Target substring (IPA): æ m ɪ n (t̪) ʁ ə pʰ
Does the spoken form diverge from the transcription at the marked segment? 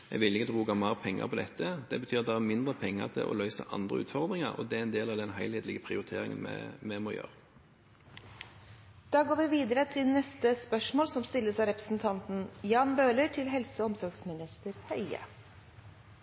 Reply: yes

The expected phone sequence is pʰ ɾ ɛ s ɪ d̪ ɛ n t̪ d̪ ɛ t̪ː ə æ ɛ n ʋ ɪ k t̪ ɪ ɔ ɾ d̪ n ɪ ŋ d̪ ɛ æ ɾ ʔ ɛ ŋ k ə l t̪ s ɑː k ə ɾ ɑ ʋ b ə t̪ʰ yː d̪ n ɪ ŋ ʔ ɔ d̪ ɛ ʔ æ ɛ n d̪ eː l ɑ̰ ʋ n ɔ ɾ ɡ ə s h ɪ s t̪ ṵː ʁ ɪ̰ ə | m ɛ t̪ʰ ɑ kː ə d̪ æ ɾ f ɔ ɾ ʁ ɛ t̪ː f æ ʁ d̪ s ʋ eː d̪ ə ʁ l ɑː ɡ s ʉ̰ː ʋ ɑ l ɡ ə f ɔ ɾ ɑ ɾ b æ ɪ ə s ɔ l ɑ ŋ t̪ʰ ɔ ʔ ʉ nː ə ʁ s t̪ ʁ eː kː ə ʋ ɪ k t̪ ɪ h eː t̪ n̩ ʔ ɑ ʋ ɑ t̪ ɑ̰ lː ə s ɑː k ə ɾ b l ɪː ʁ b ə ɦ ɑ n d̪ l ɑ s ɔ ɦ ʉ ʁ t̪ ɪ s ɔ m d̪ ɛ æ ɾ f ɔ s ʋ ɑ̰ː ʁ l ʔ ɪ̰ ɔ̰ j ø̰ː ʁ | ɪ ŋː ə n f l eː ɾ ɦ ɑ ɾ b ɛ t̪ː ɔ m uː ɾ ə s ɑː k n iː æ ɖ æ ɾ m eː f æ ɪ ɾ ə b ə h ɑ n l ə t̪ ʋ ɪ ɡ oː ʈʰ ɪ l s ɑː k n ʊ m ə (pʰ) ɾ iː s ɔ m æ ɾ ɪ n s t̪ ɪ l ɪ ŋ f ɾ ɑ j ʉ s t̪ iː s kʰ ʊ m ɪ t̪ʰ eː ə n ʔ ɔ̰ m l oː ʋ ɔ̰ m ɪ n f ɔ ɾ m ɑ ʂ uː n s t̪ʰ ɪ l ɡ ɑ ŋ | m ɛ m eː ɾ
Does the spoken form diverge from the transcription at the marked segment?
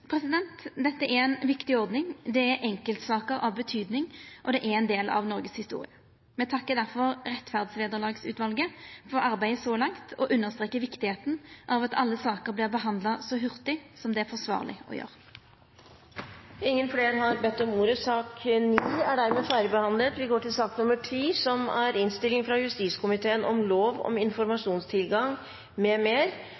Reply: yes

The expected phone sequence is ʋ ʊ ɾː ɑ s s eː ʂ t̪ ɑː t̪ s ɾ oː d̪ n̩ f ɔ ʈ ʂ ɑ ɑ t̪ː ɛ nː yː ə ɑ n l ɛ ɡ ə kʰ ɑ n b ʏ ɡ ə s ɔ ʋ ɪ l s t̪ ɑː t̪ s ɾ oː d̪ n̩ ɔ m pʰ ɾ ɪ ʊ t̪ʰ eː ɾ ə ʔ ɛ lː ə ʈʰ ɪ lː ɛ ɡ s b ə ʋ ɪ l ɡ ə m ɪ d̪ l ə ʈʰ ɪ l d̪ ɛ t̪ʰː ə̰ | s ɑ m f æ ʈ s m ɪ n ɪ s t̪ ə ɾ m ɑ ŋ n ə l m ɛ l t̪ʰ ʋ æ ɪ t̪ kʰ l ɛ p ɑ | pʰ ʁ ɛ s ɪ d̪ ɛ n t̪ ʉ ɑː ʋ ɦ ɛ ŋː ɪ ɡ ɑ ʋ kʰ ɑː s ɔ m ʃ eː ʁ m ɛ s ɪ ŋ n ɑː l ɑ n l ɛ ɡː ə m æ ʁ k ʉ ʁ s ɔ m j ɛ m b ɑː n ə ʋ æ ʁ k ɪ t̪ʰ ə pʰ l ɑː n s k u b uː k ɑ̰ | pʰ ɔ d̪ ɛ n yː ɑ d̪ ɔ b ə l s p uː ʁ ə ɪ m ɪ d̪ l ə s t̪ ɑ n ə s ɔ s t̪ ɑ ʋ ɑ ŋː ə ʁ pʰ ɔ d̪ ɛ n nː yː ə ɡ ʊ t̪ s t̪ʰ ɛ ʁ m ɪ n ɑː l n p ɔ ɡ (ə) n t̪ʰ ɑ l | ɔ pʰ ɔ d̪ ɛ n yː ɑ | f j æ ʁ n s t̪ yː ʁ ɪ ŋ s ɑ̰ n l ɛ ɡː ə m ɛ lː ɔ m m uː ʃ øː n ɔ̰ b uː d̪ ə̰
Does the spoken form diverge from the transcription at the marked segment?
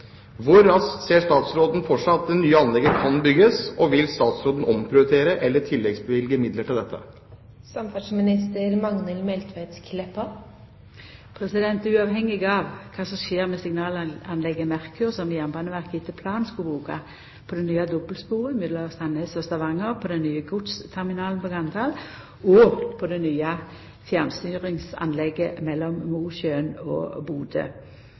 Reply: yes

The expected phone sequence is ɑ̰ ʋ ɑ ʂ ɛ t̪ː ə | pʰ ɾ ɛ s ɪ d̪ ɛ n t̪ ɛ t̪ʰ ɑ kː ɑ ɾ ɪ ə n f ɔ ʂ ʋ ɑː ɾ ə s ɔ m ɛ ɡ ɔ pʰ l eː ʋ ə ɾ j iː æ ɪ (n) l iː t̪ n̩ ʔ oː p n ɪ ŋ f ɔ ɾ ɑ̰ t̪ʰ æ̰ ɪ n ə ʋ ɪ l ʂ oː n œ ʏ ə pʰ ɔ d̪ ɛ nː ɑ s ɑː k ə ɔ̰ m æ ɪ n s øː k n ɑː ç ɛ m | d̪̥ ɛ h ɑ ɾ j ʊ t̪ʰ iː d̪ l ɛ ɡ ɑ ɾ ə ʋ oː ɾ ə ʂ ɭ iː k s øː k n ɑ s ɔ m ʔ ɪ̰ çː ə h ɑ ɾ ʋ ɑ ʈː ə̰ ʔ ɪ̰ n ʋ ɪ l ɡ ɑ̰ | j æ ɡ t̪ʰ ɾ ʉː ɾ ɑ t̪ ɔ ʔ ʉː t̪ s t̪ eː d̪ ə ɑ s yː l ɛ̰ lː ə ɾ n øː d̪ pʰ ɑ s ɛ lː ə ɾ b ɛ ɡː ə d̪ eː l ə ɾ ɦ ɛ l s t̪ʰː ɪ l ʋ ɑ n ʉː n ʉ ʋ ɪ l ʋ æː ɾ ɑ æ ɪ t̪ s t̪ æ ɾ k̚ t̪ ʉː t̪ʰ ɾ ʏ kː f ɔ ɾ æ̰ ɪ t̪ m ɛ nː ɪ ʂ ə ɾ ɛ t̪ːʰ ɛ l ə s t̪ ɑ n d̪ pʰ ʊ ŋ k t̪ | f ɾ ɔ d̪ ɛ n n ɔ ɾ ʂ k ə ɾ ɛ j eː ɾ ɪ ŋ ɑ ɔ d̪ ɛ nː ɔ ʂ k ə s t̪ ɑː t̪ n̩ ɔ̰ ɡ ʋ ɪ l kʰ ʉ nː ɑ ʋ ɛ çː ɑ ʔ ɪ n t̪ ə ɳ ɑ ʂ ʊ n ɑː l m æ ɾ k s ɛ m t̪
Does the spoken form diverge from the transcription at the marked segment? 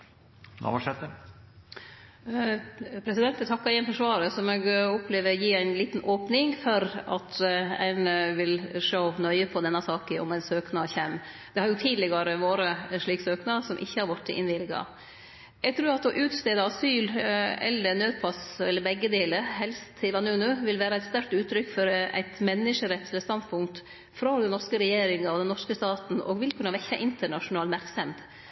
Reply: no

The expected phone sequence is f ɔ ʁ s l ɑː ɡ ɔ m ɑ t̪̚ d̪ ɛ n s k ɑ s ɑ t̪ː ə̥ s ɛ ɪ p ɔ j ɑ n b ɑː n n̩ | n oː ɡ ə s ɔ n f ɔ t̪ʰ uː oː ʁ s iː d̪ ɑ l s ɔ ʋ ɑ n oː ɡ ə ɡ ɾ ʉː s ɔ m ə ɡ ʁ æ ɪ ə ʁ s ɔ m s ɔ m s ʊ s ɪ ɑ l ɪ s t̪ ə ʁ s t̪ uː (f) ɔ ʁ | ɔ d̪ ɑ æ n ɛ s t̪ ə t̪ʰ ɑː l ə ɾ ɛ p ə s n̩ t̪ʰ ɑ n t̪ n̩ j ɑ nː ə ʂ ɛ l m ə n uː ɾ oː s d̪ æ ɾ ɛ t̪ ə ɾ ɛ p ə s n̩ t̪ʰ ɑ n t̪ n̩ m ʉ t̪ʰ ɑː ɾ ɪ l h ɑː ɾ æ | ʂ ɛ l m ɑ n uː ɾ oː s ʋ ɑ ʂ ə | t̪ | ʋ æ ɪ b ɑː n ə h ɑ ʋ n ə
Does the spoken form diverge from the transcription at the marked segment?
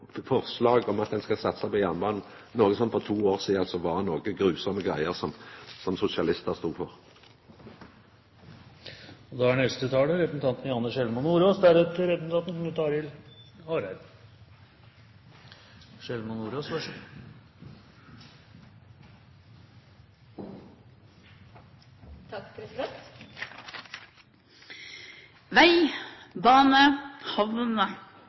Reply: no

